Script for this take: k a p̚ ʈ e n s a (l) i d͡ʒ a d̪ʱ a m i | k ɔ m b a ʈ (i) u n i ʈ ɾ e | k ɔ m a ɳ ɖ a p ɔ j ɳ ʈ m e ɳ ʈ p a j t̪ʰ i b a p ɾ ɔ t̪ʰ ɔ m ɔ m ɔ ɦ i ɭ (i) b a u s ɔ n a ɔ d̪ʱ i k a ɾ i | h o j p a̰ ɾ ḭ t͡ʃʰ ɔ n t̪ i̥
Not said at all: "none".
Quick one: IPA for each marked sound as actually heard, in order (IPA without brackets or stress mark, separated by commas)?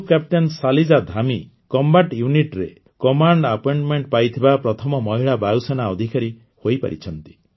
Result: l, j, a